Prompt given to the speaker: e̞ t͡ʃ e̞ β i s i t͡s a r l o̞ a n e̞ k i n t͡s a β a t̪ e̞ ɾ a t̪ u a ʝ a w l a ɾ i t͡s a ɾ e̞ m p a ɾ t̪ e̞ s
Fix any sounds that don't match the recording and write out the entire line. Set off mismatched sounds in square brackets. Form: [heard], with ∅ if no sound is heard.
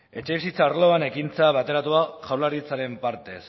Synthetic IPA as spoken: e̞ t͡ʃ e̞ β i s i t͡s a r l o̞ a n e̞ k i n t͡s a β a t̪ e̞ ɾ a t̪ u a ʝ a w l a ɾ i t͡s a ɾ e̞ m p a ɾ t̪ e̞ s

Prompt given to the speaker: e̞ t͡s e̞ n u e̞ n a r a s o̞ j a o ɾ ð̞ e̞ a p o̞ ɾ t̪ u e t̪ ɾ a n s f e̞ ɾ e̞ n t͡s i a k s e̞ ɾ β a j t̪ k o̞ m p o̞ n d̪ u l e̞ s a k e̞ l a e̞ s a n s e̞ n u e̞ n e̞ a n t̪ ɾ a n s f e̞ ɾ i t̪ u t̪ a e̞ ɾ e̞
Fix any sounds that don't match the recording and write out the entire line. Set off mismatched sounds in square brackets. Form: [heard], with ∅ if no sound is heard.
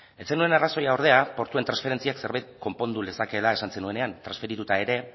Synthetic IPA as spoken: e̞ t͡s e̞ n u e̞ n a r a s o̞ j a o ɾ ð̞ e̞ a p o̞ ɾ t̪ u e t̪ ɾ a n s f e̞ ɾ e̞ n t͡s i a k s e̞ ɾ β a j t̪ k o̞ m p o̞ n d̪ u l e̞ s a k e̞ l a e̞ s a n s e̞ n u e̞ n e̞ a n t̪ ɾ a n s f e̞ ɾ i t̪ u t̪ a e̞ ɾ e̞

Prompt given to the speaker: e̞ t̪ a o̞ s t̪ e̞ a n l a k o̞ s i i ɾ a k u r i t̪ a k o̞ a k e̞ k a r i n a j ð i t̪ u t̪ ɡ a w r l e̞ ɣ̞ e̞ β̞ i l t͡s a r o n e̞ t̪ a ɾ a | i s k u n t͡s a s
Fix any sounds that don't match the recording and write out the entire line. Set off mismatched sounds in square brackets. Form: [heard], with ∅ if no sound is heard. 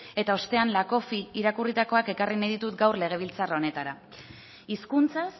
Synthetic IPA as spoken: e̞ t̪ a o̞ s t̪ e̞ a n l a k o̞ [f] i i ɾ a k u r i t̪ a k o̞ a k e̞ k a r i n a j ð i t̪ u t̪ ɡ a w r l e̞ ɣ̞ e̞ β̞ i l t͡s a r o n e̞ t̪ a ɾ a | i s k u n t͡s a s

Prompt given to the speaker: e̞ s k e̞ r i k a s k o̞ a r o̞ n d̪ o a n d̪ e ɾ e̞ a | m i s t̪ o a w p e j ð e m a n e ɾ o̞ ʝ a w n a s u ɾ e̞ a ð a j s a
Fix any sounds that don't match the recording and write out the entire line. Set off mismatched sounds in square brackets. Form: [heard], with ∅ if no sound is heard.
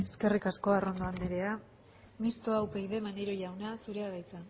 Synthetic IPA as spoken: e̞ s k e̞ r i k a s k o̞ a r o̞ n d̪ o a n d̪ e ɾ e̞ a | m i s t̪ o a w p e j ð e m a n e ɾ o̞ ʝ a w n a s u ɾ e̞ a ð a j [t͡s] a

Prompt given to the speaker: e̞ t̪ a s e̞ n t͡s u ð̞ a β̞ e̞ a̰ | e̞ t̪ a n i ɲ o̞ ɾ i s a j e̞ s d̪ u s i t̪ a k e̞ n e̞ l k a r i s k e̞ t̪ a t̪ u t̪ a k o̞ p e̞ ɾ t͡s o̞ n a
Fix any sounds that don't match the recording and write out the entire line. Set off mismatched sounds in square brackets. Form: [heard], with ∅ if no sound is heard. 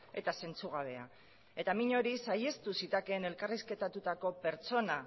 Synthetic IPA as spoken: e̞ t̪ a s e̞ n t͡s u [ɣ̞] a β̞ e̞ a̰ | e̞ t̪ a [m] i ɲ o̞ ɾ i s a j e̞ s [t̪] u s i t̪ a k e̞ n e̞ l k a r i s k e̞ t̪ a t̪ u t̪ a k o̞ p e̞ ɾ t͡s o̞ n a

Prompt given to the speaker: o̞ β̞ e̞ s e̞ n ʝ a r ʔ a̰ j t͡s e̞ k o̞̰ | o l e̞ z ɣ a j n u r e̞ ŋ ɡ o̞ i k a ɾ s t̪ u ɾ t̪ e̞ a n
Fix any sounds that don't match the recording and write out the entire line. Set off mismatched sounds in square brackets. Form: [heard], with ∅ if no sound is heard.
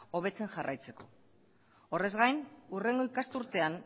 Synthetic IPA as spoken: o̞ β̞ e̞ [t͡s] e̞ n ʝ a r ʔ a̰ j t͡s e̞ k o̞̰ | o [r] e̞ z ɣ a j n u r e̞ ŋ ɡ o̞ i k a [∅] s t̪ u ɾ t̪ e̞ a n

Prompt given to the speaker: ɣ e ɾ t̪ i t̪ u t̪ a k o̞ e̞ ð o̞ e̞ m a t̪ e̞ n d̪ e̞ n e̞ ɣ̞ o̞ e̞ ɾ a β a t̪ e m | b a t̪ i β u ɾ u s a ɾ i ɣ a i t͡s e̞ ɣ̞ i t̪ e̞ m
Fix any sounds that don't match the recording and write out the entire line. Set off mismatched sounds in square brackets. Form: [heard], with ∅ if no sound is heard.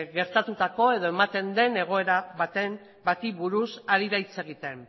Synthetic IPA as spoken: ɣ e ɾ t̪ [a] t̪ u t̪ a k o̞ e̞ ð o̞ e̞ m a t̪ e̞ n d̪ e̞ n e̞ ɣ̞ o̞ e̞ ɾ a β a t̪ e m | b a t̪ i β u ɾ u s a ɾ i [ð] a [j] t͡s e̞ ɣ̞ i t̪ e̞ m

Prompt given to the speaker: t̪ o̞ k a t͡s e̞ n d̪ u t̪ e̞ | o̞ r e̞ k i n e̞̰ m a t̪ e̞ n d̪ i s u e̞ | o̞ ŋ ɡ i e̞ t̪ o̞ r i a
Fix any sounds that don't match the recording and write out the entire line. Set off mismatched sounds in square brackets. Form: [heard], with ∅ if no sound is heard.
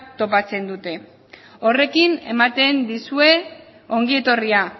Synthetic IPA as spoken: t̪ o̞ [p] a t͡s e̞ n d̪ u t̪ e̞ | o̞ r e̞ k i n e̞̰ m a t̪ e̞ n d̪ i s u e̞ | o̞ ŋ ɡ i e̞ t̪ o̞ r i a

